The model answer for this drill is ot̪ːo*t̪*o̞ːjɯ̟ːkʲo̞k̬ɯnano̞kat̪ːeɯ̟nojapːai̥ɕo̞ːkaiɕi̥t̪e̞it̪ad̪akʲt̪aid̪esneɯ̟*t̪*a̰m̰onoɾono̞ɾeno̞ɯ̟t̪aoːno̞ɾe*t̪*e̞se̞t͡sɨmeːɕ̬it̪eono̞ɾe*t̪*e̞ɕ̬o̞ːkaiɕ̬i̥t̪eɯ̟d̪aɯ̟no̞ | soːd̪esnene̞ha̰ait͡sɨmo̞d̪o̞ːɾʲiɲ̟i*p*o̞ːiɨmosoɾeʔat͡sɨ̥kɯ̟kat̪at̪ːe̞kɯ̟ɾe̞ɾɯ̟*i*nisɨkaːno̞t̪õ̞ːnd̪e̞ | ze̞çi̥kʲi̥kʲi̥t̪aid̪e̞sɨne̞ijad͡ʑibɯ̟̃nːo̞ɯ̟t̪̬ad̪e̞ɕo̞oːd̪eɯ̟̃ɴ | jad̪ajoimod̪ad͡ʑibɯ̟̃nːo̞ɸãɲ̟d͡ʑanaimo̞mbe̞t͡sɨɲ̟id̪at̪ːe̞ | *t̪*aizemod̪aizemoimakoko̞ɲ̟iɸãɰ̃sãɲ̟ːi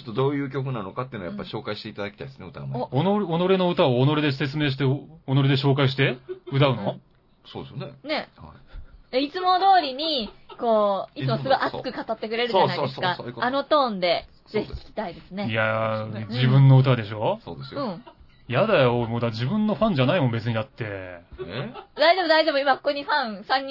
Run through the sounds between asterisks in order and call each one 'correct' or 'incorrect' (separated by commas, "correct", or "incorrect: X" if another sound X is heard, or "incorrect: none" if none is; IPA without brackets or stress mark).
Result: incorrect: d̪, correct, incorrect: d̪, incorrect: d̪, incorrect: k, incorrect: a, incorrect: d̪